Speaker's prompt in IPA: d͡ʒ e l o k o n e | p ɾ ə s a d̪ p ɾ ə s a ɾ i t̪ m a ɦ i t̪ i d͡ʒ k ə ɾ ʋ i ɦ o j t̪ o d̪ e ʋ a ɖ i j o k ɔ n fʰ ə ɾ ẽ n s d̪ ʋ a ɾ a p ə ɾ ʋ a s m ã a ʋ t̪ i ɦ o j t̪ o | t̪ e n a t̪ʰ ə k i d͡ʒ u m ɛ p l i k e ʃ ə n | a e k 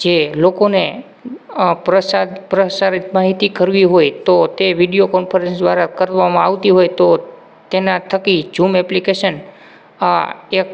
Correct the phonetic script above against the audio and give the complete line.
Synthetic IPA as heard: d͡ʒ e l o k o n e | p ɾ ə s a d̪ p ɾ ə s a ɾ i t̪ m a ɦ i t̪ i k ə ɾ ʋ i ɦ o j t̪ o t̪ e ʋ i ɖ i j o k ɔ n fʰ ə ɾ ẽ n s d̪ ʋ a ɾ a k ə ɾ ʋ a m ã a ʋ t̪ i ɦ o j t̪ o | t̪ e n a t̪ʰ ə k i d͡ʒ u m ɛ p l i k e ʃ ə n | a e k